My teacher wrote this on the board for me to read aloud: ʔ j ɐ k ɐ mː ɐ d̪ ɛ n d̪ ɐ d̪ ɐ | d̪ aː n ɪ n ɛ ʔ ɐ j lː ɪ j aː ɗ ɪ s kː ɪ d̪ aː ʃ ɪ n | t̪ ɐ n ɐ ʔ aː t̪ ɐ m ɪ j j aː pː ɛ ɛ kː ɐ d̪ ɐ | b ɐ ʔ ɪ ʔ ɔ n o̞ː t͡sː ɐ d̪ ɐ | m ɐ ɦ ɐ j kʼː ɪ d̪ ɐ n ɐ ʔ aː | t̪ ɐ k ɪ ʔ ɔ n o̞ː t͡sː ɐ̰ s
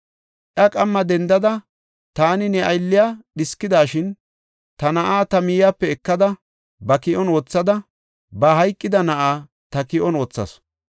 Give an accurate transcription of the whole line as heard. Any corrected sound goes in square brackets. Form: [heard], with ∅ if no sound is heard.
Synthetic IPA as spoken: ʔ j ɐ [kʼ] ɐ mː ɐ d̪ ɛ n d̪ ɐ d̪ ɐ | [t̪] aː n ɪ n ɛ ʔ ɐ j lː ɪ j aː ɗ ɪ s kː ɪ d̪ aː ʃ ɪ n | t̪ ɐ n ɐ ʔ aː t̪ ɐ m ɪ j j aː pː ɛ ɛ kː ɐ d̪ ɐ | b ɐ [k] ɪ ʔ ɔ n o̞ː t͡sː ɐ d̪ ɐ | [b] ɐ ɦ ɐ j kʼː ɪ d̪ ɐ n ɐ ʔ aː | t̪ ɐ k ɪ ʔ ɔ n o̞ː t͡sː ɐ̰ s